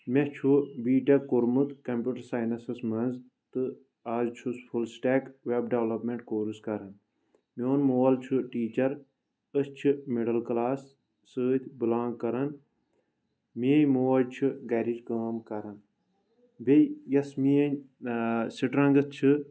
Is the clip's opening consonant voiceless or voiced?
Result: voiced